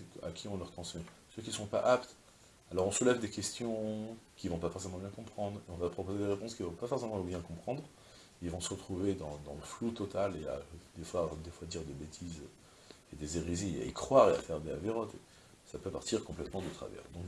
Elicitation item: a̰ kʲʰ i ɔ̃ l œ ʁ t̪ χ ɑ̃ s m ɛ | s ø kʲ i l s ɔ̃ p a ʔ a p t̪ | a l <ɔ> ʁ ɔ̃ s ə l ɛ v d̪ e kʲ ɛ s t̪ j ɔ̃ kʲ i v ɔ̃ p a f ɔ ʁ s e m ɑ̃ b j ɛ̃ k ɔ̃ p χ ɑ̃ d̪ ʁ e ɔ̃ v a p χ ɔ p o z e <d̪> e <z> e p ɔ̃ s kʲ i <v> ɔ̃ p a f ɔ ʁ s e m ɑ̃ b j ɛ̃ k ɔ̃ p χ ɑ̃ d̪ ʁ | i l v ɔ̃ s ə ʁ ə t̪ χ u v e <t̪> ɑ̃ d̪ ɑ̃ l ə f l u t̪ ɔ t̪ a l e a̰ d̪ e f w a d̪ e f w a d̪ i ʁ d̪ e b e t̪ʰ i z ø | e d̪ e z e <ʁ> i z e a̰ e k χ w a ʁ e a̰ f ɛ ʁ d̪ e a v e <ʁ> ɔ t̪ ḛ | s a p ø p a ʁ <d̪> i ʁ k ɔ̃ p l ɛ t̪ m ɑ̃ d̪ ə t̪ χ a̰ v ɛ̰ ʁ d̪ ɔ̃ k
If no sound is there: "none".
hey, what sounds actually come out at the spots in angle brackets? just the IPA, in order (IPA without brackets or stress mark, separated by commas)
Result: ɔ, d̪, ʁ, v, d̪, ʁ, ʁ, t̪